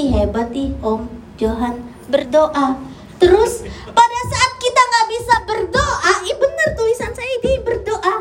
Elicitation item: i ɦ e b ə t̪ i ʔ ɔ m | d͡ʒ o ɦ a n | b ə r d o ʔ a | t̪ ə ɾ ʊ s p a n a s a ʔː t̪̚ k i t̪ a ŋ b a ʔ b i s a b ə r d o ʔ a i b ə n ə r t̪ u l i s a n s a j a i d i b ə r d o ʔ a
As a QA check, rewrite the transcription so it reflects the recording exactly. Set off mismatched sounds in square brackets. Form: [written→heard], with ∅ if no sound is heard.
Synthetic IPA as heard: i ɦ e b [ə→a] t̪ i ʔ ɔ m | d͡ʒ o ɦ a n | b ə r d o ʔ a | t̪ ə ɾ ʊ s p a [n→d] a s a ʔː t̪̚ k i t̪ a ŋ [b→ɡ] a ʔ b i s a b ə r d o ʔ a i b ə n ə r t̪ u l i s a n s a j a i d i b ə r d o ʔ a